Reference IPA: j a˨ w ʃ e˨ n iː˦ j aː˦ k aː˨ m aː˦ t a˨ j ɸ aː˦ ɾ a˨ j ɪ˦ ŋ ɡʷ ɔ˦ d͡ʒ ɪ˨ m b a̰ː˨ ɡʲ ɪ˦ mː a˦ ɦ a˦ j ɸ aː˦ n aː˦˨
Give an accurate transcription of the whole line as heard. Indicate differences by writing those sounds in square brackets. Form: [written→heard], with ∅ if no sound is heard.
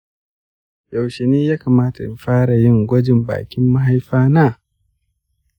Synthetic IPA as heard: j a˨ w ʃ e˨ n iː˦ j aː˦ k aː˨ m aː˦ t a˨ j ɸ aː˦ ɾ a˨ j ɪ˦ ŋ ɡʷ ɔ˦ d͡ʒ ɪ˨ m b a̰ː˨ [ɡʲ→kʲ] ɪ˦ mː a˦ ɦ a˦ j ɸ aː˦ n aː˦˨